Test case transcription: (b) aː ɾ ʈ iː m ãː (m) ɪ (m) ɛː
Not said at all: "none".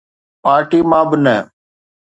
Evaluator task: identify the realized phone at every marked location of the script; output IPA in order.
p, b, n

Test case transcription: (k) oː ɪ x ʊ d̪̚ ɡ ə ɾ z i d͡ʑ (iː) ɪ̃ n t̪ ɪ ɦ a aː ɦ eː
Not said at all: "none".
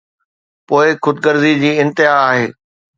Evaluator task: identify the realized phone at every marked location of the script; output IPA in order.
p, iː

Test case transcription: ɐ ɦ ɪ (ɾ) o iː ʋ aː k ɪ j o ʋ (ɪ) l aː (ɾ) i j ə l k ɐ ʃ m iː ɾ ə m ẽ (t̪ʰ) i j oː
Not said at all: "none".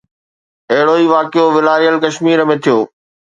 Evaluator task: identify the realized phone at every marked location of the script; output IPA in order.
ɽ, ɪ, ɾ, t̪ʰ

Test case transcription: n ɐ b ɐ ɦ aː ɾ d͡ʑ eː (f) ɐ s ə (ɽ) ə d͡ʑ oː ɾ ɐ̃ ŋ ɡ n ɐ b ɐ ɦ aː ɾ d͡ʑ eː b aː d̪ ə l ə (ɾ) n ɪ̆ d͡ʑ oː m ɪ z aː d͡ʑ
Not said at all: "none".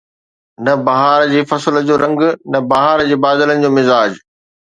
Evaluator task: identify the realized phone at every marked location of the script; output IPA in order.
f, l, none

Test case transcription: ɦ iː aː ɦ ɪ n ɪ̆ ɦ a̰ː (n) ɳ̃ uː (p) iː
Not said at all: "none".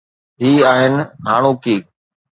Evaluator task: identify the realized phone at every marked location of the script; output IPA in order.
none, k

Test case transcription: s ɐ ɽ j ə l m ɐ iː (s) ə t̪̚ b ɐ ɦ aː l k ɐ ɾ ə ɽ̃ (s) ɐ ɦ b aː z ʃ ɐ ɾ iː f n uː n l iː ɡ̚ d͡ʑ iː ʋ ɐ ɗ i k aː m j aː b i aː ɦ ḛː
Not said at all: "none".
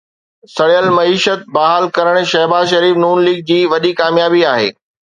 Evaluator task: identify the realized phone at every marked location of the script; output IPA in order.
ʃ, ʃ

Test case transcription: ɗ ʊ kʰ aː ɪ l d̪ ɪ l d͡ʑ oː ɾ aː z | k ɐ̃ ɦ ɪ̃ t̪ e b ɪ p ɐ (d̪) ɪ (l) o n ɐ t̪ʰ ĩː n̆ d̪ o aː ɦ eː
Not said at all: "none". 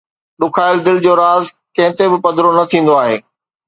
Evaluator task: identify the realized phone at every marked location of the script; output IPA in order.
d̪, ɾ

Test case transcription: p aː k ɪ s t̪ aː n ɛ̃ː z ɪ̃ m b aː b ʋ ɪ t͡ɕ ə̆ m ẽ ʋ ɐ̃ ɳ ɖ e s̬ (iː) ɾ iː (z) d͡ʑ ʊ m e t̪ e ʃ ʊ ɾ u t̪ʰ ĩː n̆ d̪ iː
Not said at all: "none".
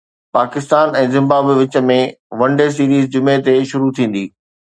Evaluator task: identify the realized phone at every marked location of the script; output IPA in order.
iː, z

